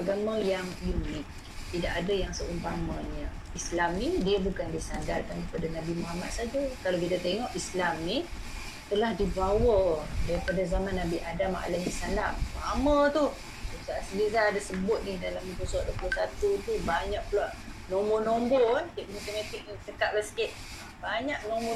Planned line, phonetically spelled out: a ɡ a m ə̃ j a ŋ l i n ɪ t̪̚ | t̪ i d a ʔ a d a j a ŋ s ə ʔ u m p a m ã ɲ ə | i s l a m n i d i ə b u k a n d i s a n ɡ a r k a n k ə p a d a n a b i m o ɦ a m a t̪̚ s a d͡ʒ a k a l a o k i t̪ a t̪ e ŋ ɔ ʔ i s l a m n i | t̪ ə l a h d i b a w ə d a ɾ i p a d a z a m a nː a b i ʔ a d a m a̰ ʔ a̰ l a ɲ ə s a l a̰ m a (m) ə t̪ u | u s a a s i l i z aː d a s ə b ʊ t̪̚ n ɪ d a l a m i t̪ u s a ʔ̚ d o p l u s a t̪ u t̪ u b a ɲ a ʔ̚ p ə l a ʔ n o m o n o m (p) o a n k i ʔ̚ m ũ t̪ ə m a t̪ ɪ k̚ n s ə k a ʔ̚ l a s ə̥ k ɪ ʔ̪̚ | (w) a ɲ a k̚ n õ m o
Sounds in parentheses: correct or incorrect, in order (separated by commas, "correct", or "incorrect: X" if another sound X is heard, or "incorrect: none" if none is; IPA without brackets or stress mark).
correct, incorrect: b, incorrect: b